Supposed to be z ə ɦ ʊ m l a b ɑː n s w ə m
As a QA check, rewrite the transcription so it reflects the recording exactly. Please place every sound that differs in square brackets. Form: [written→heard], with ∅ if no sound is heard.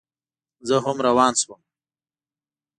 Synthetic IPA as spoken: z ə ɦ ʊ m [l→ɾ] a [b→w] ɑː n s w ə m